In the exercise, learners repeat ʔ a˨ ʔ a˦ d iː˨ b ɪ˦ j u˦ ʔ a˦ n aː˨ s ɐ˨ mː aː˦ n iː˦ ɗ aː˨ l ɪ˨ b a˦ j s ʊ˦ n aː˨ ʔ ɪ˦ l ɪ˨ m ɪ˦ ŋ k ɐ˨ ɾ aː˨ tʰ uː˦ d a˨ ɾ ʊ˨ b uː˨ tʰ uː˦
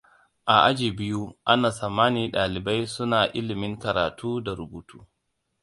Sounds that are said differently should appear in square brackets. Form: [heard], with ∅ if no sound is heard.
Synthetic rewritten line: ʔ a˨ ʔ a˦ [d͡ʒ] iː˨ b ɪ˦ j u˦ ʔ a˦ n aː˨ s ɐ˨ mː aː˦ n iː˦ ɗ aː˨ l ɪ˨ b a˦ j s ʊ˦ n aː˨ ʔ ɪ˦ l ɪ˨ m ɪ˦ ŋ k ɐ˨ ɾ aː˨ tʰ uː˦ d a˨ ɾ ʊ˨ b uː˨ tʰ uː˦